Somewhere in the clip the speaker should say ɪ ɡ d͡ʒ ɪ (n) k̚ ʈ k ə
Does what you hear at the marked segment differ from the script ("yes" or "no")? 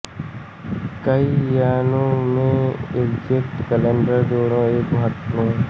yes